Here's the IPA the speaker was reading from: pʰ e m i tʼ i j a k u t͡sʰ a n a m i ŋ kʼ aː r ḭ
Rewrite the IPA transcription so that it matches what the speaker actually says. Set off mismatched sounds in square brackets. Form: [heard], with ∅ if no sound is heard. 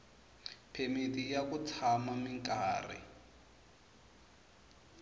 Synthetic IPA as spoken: pʰ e m i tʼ i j a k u t͡sʰ a [m] a m i ŋ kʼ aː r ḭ